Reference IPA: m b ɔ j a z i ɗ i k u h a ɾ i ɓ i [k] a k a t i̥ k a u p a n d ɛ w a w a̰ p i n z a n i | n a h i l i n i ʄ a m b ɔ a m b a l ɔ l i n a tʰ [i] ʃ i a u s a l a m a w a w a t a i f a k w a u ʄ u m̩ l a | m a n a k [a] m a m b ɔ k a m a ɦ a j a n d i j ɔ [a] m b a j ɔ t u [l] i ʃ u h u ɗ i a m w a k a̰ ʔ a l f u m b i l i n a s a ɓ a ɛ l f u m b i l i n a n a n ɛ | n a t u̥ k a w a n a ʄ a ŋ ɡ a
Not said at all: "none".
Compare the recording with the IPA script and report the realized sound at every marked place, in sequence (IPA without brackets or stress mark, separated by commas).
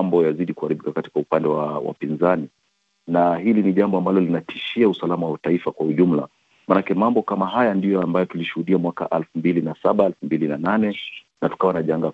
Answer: k, i, ɛ, a, l